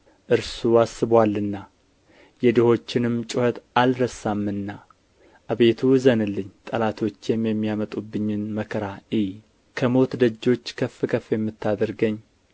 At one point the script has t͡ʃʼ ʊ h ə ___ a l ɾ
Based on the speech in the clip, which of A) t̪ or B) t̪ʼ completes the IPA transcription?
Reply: A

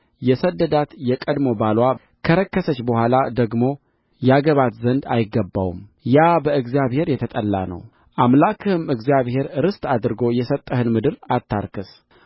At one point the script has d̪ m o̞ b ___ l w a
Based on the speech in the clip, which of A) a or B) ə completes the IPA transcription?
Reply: A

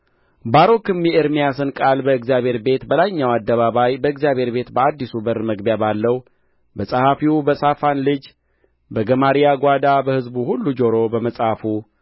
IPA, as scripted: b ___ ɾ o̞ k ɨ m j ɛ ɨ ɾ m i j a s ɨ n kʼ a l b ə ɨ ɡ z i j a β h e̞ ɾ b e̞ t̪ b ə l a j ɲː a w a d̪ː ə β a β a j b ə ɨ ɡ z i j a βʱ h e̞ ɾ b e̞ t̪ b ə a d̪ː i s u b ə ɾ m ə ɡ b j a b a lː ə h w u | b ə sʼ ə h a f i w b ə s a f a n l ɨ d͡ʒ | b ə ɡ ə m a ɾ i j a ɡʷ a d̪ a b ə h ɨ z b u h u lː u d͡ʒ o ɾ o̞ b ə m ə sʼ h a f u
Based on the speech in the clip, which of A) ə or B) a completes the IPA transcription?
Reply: B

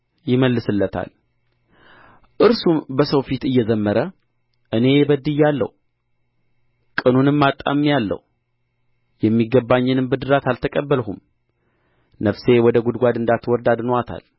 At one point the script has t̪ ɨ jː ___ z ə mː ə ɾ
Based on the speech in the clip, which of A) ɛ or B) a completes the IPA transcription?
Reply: A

